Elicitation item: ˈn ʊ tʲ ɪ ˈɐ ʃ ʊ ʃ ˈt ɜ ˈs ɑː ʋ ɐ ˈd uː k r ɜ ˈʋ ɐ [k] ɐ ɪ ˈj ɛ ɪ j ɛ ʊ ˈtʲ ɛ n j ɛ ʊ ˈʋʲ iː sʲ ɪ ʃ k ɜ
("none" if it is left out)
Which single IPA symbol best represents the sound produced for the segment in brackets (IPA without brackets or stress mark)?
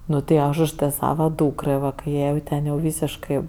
k